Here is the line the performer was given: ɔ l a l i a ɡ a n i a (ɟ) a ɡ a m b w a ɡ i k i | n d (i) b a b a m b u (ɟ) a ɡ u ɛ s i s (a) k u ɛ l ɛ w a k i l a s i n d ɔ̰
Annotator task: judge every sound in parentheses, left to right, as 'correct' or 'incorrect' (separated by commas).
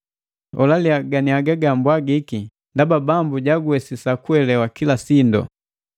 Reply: incorrect, incorrect, correct, correct